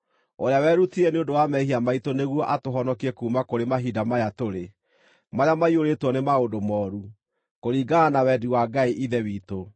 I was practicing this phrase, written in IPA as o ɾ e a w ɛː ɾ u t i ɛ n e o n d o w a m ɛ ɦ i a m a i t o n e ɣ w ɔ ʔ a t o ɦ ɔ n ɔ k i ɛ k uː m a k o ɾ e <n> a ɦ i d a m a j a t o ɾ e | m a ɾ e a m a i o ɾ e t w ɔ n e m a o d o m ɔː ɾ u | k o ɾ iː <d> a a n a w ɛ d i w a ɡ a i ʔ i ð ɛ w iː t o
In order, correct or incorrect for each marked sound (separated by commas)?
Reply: incorrect, incorrect